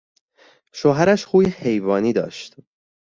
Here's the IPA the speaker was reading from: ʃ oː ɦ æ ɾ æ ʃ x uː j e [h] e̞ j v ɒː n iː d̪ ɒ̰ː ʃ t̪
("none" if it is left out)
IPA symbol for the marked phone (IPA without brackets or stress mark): h